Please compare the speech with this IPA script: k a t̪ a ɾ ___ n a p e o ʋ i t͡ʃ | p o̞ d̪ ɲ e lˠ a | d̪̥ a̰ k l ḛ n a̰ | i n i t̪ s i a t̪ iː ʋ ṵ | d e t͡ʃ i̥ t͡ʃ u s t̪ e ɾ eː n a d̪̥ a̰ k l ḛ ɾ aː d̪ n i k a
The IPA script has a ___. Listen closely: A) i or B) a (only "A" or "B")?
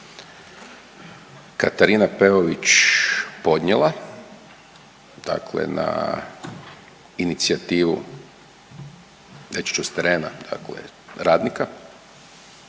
A